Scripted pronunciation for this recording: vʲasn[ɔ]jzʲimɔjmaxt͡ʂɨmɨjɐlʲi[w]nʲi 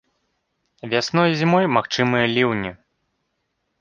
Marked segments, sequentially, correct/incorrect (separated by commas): correct, correct